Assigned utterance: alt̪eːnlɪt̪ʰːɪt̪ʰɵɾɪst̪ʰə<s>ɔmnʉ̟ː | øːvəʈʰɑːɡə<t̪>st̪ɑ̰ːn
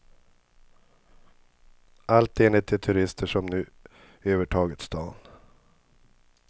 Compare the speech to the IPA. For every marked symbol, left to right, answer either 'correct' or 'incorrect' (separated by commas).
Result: incorrect, correct